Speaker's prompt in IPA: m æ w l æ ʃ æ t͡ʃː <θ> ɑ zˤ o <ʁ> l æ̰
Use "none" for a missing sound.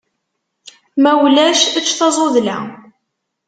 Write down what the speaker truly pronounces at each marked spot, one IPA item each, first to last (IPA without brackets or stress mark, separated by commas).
θ, ð